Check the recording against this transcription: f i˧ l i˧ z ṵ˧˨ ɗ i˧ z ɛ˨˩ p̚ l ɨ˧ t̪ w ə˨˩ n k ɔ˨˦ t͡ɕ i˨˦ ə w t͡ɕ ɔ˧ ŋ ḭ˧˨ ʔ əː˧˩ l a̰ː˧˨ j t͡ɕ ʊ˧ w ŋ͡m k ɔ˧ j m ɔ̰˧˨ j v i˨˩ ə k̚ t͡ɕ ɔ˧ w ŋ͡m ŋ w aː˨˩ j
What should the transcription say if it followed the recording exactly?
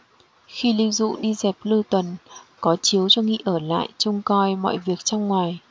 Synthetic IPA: x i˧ l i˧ z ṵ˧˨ ɗ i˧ z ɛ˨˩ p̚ l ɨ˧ t̪ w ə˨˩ n k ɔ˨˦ t͡ɕ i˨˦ ə w t͡ɕ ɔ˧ ŋ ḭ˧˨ ʔ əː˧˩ l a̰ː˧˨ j t͡ɕ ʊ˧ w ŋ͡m k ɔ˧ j m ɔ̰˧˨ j v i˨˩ ə k̚ t͡ɕ ɔ˧ w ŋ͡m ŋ w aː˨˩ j